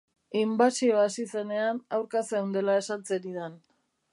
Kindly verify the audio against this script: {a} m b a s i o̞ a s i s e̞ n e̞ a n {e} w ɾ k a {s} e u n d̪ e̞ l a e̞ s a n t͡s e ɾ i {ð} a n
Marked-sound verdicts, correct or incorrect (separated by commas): incorrect, incorrect, correct, correct